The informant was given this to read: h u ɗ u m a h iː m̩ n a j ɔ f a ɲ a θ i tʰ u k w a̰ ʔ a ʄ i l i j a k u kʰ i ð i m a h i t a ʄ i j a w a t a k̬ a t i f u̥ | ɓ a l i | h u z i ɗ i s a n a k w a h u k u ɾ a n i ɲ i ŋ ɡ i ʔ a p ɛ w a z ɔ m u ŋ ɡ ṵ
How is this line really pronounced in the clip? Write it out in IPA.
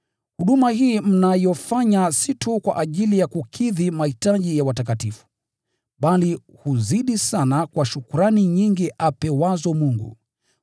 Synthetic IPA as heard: h u ɗ u m a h iː m̩ n a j ɔ f a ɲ a s i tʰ u k w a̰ ʔ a ʄ i l i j a k u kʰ i ð i m a h i t a ʄ i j a w a t a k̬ a t i f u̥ | ɓ a l i | h u z i ɗ i s a n a k w a ʃ u k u ɾ a n i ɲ i ŋ ɡ i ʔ a p ɛ w a z ɔ m u ŋ ɡ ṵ